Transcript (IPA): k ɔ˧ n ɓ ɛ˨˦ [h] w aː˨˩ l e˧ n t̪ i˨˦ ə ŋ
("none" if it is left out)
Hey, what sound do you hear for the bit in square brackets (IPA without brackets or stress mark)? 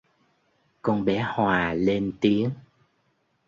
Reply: h